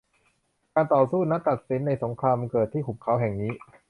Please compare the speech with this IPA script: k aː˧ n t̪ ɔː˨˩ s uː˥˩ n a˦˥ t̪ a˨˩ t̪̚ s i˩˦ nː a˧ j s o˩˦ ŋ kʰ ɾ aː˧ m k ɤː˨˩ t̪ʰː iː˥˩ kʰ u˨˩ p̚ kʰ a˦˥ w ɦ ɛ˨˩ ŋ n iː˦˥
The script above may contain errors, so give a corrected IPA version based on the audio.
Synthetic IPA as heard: k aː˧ n t̪ ɔː˨˩ s uː˥˩ n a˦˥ t̪ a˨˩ t̪̚ s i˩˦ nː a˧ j s o˩˦ ŋ kʰ ɾ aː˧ m k ɤː˨˩ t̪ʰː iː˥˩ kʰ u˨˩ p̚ kʰ a˦˥ w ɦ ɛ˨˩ ŋ n iː˦˥